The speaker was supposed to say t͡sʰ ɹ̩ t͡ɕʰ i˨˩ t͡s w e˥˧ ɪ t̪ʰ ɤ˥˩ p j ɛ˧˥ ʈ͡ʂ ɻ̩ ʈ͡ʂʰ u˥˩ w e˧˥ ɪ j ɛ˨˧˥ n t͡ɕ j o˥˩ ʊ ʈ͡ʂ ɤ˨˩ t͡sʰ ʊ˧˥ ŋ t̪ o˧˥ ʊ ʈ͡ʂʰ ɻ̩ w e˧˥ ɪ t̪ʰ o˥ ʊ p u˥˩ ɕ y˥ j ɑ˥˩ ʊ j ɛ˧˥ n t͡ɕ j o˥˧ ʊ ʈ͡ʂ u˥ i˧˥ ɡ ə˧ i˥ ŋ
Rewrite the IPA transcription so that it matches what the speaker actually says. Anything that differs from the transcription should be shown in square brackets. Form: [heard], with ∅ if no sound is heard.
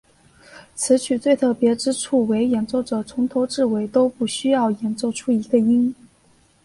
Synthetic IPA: t͡sʰ ɹ̩ t͡ɕʰ [y˨˩] t͡s w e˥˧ ɪ t̪ʰ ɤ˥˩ p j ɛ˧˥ ʈ͡ʂ ɻ̩ ʈ͡ʂʰ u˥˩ w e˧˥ ɪ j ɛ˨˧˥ n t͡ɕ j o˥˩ ʊ ʈ͡ʂ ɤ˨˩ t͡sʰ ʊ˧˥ ŋ [t̪ʰ] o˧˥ ʊ [ʈ͡ʂ] ɻ̩ w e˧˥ ɪ [t̪] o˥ ʊ p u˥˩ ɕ y˥ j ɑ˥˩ ʊ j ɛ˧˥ n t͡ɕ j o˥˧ ʊ [ʈ͡ʂʰ] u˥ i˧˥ ɡ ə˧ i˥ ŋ